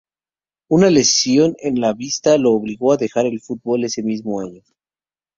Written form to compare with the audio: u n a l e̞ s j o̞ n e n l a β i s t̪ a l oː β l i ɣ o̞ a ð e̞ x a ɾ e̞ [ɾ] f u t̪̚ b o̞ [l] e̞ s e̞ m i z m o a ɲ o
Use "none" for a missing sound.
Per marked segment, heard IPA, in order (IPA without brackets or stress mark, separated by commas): l, l